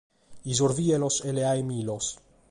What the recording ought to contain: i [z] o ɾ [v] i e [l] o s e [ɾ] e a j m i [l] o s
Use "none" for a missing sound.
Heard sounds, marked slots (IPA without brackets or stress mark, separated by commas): z, v, l, l, l